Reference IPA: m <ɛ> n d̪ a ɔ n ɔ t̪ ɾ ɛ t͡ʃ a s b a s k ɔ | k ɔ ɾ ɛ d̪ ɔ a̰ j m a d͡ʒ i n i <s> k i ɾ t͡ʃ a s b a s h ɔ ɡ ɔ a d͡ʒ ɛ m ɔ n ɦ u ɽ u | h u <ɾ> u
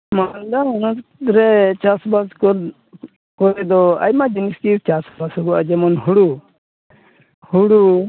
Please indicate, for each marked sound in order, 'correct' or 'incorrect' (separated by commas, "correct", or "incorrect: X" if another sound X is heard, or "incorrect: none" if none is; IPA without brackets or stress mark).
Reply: incorrect: a, correct, incorrect: ɽ